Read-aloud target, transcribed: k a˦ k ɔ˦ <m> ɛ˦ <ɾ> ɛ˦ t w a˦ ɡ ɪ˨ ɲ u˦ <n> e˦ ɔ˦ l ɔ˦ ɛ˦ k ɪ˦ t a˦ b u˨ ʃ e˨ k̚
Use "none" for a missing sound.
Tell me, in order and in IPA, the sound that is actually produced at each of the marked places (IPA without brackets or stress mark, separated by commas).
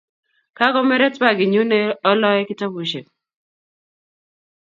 m, ɾ, n